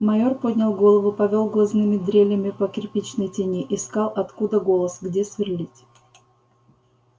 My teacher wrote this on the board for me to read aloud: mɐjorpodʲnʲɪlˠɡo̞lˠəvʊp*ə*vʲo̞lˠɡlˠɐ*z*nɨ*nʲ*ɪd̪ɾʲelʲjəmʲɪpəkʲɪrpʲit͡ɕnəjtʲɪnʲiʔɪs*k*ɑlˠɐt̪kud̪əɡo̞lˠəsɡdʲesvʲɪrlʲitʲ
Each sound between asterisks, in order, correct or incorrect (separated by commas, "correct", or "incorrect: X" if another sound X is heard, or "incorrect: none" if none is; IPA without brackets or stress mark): incorrect: ɐ, correct, incorrect: mʲ, correct